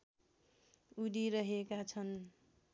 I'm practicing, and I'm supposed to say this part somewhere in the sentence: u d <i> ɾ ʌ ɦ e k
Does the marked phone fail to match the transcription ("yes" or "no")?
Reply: no